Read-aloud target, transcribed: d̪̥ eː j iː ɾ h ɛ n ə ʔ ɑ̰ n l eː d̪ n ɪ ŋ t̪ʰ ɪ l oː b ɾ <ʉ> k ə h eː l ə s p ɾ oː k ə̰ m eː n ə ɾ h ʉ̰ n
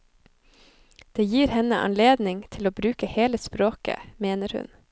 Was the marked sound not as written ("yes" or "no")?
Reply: yes